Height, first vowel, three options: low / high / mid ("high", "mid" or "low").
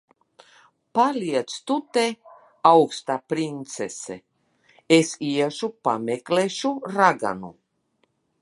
low